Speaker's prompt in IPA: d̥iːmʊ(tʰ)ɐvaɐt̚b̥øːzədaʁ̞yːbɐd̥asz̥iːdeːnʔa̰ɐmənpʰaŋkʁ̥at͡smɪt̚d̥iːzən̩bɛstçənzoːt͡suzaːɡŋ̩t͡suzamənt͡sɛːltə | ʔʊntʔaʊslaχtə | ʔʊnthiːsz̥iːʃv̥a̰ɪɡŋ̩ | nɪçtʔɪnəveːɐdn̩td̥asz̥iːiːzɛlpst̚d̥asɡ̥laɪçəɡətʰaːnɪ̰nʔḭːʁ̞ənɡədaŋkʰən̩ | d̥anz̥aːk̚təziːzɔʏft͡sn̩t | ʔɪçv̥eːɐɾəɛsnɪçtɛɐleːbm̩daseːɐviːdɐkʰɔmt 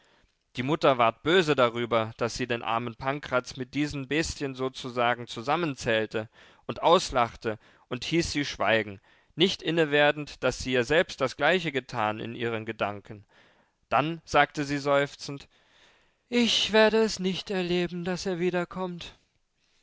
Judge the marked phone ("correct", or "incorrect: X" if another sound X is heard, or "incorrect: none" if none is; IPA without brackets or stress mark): incorrect: t